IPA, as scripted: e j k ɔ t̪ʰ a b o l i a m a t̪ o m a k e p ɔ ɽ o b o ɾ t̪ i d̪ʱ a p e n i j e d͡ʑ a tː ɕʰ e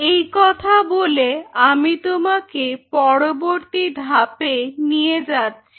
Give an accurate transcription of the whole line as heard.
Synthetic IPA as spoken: e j k ɔ t̪ʰ a b o l e a m i t̪ o m a k e p ɔ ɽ o b o ɾ t̪ i d̪ʱ a p e n i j e d͡ʑ a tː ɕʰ i

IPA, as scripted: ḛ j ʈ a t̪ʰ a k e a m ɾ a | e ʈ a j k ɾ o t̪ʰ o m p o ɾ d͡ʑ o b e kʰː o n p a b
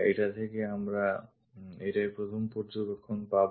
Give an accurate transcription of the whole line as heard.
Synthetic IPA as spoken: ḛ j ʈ a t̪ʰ e k e a m ɾ a | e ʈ a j p ɾ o t̪ʰ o m p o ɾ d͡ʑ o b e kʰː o n p a b

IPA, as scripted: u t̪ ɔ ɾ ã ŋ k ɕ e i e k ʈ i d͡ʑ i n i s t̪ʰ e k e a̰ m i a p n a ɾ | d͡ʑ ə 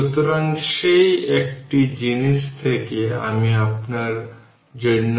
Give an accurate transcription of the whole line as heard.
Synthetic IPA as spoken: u t̪ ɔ ɾ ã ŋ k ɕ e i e k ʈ i d͡ʑ i n i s t̪ʰ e k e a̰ m i a p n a ɾ | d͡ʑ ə

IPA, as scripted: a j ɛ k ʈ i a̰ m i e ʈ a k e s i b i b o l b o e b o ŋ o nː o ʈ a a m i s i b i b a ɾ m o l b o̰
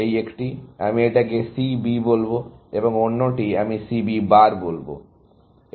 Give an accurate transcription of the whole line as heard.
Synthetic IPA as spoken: e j e k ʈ i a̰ m i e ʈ a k e s i b i b o l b o e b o ŋ o nː o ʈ i a m i s i b i b a ɾ b o l b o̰

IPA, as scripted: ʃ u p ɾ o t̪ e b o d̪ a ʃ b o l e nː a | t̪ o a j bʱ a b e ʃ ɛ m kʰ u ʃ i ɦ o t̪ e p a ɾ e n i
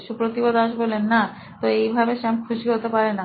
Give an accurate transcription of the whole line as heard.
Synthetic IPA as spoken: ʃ u p ɾ o t̪ i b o d̪ a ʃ b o l e nː a | t̪ o e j bʱ a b e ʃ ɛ m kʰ u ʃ i ɦ o t̪ e p a ɾ e n a

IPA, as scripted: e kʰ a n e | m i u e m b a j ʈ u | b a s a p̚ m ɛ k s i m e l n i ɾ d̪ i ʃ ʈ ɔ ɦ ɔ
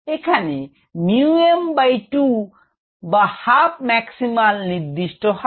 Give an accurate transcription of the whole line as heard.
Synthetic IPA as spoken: e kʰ a n e | m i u e m b a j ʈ u | b a h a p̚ m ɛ k s i m a l n i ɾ d̪ i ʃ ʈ ɔ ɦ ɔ

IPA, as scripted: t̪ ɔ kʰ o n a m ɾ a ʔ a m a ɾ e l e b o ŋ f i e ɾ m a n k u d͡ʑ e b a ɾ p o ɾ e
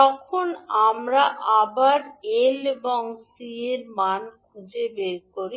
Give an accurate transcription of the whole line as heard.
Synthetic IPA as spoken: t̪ ɔ kʰ o n a m ɾ a ʔ a b a ɾ e l e b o ŋ s i e ɾ m a n k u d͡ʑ e b e ɾ k o ɾ i

